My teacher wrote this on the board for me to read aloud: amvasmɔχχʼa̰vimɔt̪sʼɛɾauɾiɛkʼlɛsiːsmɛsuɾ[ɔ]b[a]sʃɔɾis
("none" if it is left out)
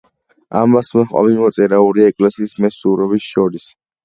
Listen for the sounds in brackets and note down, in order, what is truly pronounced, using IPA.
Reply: ɔ, i

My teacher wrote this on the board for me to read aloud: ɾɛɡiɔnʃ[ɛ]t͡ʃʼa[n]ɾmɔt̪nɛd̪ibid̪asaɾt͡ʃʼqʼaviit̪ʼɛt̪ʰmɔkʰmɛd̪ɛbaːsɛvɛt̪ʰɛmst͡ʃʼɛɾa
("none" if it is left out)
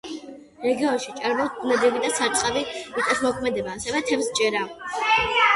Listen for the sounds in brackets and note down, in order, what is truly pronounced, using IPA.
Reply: i, none

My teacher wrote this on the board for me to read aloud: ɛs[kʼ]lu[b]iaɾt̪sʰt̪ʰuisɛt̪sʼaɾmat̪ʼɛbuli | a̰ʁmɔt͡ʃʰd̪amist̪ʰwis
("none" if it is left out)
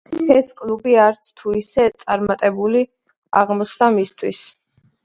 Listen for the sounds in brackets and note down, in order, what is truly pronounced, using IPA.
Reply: kʼ, b

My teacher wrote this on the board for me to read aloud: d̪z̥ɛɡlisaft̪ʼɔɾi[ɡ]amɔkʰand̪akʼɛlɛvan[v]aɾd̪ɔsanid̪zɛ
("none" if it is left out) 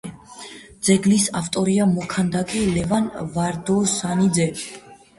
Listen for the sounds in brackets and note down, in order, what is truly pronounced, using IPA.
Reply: none, v

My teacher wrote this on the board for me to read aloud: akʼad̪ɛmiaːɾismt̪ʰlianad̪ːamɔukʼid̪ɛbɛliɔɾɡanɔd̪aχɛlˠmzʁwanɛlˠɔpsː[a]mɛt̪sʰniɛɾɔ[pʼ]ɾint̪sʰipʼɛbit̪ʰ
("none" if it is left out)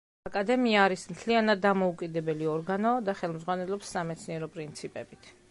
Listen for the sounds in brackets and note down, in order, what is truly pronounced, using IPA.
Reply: a, pʼ

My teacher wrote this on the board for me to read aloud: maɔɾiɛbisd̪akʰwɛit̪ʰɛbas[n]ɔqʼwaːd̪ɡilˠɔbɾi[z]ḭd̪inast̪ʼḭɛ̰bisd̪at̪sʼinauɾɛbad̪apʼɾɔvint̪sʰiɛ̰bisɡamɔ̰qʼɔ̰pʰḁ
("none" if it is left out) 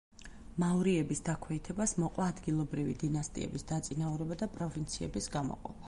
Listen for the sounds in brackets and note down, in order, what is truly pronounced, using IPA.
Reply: m, v

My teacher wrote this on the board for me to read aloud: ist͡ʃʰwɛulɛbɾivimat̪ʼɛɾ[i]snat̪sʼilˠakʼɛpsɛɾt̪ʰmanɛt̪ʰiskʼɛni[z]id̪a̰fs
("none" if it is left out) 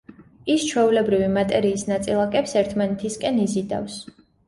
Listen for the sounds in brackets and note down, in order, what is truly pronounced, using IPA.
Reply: iː, z

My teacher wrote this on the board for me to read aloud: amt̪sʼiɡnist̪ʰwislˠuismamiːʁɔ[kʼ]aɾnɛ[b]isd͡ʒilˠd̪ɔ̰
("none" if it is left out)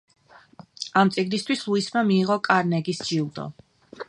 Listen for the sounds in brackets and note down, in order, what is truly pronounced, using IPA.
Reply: kʼ, ɡ

